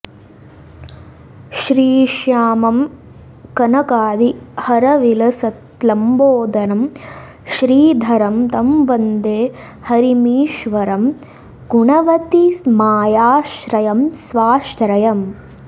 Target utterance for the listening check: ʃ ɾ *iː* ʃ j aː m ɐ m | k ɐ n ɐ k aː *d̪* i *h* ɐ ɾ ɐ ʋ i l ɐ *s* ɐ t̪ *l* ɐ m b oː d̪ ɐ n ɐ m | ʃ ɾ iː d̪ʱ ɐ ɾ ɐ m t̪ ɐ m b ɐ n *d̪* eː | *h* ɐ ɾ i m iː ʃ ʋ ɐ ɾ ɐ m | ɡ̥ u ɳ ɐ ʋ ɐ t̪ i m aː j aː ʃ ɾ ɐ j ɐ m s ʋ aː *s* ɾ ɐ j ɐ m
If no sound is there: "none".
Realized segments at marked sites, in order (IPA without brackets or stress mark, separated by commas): iː, d̪, h, s, l, d̪, h, ʃ